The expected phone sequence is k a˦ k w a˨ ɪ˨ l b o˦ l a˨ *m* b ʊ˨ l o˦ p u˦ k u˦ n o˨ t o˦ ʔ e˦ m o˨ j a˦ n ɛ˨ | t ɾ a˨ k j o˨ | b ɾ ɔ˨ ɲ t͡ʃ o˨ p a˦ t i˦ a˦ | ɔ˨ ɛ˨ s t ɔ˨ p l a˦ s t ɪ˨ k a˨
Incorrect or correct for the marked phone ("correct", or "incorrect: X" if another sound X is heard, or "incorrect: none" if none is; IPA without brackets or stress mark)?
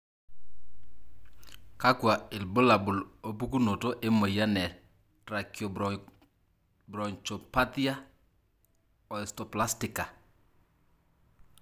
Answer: incorrect: none